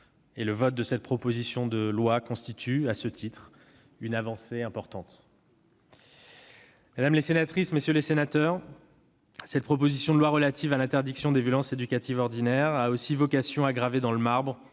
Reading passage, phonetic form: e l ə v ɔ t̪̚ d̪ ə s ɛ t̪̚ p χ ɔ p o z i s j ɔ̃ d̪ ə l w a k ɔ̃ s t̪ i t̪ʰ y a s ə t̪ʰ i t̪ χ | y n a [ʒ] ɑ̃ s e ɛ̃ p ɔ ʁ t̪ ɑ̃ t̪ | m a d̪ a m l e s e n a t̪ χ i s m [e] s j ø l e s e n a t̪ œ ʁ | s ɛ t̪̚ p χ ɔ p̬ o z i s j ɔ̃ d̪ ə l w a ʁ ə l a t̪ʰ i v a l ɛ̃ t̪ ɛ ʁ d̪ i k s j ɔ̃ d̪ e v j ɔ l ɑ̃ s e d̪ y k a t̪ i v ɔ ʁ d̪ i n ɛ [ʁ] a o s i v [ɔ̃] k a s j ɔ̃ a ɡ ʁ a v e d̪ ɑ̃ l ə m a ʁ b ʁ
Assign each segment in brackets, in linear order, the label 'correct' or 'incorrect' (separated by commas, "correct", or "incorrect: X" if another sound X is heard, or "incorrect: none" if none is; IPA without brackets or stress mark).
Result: incorrect: v, correct, correct, incorrect: ɔ